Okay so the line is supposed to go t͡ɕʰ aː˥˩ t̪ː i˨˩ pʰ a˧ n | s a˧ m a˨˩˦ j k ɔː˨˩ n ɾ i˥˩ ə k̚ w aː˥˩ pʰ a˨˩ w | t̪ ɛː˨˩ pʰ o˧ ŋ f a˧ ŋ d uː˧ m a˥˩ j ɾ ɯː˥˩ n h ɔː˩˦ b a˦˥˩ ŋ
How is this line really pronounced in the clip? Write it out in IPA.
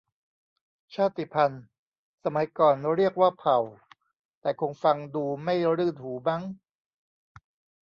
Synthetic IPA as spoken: t͡ɕʰ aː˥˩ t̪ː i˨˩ pʰ a˧ n | s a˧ m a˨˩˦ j k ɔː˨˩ n ɾ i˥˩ ə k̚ w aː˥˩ pʰ a˨˩ w | t̪ ɛː˨˩ kʰ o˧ ŋ f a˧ ŋ d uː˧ m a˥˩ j ɾ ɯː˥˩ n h uː˩˦ b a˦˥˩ ŋ